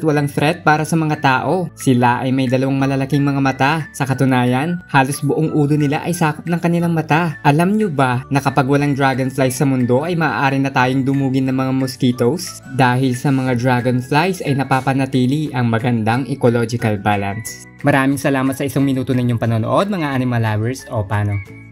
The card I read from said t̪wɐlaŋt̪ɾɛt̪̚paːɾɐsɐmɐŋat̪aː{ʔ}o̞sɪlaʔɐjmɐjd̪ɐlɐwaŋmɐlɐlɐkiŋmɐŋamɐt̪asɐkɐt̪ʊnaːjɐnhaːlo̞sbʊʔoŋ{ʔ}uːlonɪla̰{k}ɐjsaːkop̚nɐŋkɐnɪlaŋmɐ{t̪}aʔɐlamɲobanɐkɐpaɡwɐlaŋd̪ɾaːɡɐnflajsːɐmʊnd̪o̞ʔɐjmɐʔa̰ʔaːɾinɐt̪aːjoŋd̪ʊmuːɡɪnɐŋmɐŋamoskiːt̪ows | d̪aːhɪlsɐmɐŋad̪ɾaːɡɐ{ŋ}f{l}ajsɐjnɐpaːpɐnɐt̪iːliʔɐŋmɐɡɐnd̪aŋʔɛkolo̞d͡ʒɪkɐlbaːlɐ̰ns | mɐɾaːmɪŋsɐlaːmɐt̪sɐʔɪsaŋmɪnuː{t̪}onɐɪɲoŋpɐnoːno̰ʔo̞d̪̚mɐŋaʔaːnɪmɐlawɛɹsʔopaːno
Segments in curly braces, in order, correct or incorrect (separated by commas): correct, correct, incorrect, correct, incorrect, correct, correct